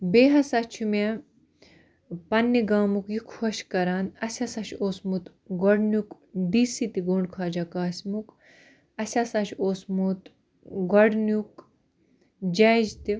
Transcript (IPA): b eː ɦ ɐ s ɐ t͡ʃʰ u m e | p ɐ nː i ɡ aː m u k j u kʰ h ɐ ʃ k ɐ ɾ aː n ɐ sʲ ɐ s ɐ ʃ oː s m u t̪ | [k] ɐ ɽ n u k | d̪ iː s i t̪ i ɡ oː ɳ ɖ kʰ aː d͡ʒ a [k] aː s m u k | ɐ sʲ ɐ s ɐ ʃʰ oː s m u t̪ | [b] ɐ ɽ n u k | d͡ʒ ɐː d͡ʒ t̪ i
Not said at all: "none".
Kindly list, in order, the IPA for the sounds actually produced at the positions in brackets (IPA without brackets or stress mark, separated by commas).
ɡ, k, ɡ